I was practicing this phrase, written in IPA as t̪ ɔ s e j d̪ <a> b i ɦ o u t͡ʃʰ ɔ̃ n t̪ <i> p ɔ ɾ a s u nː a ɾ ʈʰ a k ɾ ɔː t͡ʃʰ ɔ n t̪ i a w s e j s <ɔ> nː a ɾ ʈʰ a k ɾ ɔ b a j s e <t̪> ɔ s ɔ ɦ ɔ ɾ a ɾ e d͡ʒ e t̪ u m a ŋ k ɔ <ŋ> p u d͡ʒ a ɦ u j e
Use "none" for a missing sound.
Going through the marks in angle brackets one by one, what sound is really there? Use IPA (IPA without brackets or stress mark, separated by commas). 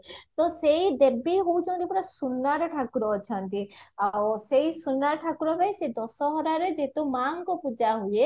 e, i, u, d̪, none